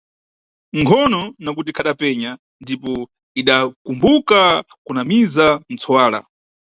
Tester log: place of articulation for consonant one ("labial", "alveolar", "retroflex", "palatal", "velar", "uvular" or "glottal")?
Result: velar